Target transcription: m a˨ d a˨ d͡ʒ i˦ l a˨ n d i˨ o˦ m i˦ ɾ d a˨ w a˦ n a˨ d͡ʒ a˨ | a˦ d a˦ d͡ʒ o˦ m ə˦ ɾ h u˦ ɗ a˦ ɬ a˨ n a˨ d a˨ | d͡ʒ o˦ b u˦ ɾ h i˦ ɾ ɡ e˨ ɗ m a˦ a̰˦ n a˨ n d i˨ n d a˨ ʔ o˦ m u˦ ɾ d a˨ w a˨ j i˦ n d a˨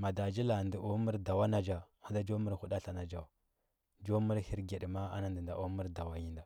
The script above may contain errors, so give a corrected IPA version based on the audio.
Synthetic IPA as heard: m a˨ d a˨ d͡ʒ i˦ l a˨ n d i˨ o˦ m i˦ ɾ d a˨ w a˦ n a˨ d͡ʒ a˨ | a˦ d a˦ d͡ʒ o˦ m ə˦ ɾ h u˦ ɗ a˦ ɬ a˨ n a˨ d͡ʒ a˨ | d͡ʒ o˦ m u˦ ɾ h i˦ ɾ ɡ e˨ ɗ m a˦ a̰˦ n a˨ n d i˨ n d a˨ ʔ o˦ m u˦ ɾ d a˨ w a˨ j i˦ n d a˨